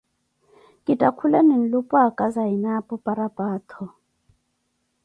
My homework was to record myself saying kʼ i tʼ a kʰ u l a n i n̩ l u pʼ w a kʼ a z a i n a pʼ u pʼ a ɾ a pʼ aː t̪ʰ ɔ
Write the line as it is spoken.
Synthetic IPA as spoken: kʼ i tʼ a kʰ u l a n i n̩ l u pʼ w a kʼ a z a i n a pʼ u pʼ a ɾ a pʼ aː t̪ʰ ɔ